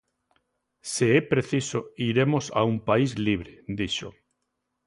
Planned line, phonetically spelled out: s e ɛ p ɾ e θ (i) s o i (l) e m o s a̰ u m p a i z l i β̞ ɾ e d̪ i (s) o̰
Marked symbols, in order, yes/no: yes, no, no

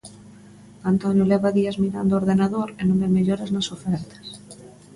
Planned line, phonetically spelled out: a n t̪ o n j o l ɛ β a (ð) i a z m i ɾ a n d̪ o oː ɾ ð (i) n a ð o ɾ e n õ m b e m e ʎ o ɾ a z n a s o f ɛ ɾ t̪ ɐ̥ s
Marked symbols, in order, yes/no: yes, no

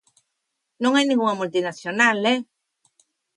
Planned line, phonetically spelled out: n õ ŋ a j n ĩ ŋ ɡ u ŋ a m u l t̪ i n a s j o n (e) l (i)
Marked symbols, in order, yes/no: no, no

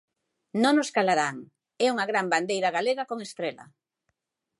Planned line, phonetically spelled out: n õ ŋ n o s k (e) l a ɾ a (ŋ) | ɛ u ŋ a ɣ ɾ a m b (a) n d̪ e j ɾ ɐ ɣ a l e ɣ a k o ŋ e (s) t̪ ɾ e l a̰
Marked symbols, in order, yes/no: no, yes, yes, yes

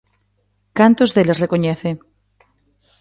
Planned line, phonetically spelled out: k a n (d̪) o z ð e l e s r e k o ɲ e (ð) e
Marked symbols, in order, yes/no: no, no

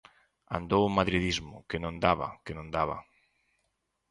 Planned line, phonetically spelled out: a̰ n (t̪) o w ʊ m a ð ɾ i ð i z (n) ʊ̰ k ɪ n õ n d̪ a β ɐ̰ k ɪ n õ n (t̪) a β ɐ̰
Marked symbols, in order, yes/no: no, no, no

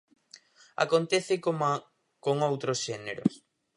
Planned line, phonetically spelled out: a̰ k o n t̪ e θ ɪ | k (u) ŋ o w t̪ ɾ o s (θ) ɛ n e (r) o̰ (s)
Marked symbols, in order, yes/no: no, no, no, yes

